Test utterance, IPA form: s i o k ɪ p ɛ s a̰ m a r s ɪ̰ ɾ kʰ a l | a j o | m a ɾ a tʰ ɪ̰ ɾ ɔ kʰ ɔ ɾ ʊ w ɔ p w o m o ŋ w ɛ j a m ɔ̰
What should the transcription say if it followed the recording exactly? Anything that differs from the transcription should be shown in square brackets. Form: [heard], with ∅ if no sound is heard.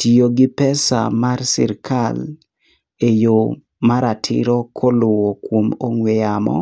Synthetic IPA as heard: [t] i o [ɡ] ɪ p ɛ s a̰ m a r s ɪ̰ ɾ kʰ a l | [e] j o | m a ɾ a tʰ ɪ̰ ɾ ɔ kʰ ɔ [l] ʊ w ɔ [k] w o m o ŋ w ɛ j a m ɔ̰